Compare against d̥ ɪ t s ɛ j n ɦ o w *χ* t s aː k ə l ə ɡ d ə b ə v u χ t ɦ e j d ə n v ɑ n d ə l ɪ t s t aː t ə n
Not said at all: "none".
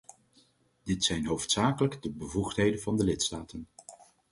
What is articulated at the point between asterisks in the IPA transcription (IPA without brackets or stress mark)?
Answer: f